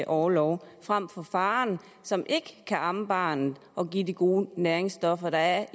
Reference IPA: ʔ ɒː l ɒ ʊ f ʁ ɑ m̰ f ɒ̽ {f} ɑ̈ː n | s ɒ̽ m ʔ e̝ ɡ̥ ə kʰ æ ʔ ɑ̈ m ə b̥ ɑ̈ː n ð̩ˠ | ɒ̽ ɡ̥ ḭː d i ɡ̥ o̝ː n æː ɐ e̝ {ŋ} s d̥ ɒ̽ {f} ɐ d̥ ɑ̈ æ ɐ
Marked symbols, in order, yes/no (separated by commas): yes, yes, yes